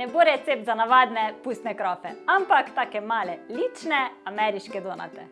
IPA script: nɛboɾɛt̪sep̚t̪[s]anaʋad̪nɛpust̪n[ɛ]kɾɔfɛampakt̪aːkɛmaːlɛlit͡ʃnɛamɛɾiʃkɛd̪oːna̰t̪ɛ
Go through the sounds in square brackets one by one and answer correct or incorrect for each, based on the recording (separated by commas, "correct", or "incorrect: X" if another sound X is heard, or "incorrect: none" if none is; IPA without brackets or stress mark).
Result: incorrect: z, correct